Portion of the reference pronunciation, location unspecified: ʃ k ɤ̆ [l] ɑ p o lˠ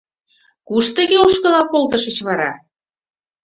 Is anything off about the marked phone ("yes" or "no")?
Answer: no